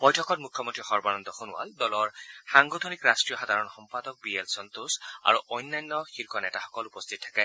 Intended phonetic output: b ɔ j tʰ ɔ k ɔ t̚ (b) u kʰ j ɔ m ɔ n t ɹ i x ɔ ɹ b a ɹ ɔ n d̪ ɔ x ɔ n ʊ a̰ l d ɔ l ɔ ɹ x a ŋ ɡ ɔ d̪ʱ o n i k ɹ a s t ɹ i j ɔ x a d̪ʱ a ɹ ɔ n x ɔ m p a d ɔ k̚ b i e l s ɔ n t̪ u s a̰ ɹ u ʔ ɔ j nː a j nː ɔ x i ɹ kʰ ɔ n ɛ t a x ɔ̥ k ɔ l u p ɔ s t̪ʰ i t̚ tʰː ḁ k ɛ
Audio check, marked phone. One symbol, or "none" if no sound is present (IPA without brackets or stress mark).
m